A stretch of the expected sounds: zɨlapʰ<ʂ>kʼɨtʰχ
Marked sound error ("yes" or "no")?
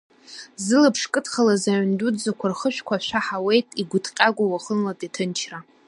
no